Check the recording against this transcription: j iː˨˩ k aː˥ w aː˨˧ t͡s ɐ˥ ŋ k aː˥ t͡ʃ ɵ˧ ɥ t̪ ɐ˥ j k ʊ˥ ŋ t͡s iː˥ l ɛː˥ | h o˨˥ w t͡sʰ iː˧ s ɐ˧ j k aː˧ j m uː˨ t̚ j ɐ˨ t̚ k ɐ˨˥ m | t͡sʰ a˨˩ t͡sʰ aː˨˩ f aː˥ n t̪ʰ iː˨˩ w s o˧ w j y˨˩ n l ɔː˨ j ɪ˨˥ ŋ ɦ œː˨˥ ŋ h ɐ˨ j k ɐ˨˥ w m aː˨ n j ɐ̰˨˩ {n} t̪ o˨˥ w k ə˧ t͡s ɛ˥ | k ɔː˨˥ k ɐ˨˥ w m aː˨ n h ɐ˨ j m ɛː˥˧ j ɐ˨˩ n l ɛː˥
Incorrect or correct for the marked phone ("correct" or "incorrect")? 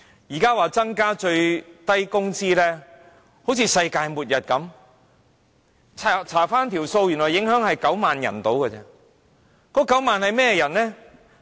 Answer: correct